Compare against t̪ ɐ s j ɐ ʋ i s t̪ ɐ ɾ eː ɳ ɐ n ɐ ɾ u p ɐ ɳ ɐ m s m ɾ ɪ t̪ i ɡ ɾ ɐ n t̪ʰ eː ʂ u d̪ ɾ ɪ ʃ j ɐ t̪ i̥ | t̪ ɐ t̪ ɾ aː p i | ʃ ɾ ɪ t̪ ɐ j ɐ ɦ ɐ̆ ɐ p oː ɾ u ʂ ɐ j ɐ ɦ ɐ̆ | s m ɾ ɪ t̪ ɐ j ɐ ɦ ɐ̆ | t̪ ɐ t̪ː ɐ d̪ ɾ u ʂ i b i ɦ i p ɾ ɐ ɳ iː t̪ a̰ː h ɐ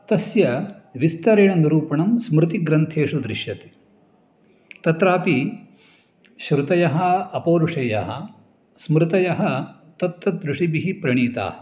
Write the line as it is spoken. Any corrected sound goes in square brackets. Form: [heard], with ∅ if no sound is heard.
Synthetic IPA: t̪ ɐ s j ɐ ʋ i s t̪ ɐ ɾ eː ɳ ɐ n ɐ ɾ [uː] p ɐ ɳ ɐ m s m ɾ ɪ t̪ i ɡ ɾ ɐ n t̪ʰ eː ʂ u d̪ ɾ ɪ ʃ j ɐ t̪ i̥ | t̪ ɐ t̪ ɾ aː p i | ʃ ɾ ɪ t̪ ɐ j ɐ ɦ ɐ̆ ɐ p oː ɾ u ʂ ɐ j ɐ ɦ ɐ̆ | s m ɾ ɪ t̪ ɐ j ɐ ɦ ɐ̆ | t̪ ɐ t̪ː ɐ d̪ ɾ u ʂ i b i ɦ i p ɾ ɐ ɳ iː t̪ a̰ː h ɐ